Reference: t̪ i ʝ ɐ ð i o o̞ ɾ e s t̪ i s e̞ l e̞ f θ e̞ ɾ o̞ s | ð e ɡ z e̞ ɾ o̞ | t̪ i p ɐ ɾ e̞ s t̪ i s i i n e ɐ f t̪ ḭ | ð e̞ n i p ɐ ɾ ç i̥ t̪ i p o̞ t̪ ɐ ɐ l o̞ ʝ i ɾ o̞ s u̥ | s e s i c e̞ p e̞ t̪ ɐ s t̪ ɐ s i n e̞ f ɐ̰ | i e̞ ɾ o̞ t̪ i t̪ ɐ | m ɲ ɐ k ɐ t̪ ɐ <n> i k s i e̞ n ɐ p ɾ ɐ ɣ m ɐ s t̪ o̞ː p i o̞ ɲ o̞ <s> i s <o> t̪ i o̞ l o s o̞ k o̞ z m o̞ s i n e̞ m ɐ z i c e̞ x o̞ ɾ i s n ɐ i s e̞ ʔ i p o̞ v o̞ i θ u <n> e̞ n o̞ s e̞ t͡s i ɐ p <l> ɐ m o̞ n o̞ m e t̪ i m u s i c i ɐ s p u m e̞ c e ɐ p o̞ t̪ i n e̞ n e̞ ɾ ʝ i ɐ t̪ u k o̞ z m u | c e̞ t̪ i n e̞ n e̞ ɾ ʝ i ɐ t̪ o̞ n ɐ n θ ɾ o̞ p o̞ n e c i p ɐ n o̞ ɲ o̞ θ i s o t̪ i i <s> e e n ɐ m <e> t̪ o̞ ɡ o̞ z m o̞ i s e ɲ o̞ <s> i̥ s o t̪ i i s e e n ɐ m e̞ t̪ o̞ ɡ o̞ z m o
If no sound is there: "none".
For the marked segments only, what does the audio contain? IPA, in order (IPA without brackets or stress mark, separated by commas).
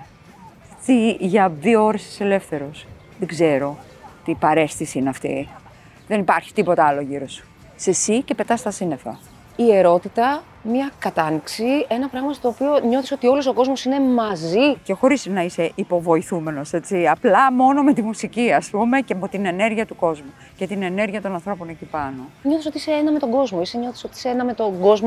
n, θ, o, m, l, s, e, θ